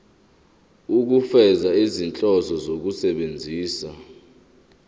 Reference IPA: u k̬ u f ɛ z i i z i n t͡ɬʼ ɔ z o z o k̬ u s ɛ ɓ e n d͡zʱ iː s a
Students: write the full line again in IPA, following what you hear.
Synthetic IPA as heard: u k̬ u f ɛ z a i z i n t͡ɬʼ ɔ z ɔ z o k̬ u s ɛ ɓ e n d͡zʱ iː s a